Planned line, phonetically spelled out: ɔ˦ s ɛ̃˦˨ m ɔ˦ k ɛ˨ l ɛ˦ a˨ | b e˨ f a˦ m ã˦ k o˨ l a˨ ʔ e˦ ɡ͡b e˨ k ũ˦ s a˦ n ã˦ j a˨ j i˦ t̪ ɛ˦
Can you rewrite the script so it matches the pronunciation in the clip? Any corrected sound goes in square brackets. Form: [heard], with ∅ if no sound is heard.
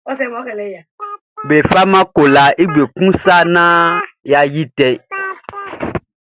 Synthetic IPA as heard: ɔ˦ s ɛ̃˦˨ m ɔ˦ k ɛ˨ l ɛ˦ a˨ | b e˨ f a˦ m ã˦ k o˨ l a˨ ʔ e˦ ɡ͡b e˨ k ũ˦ s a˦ n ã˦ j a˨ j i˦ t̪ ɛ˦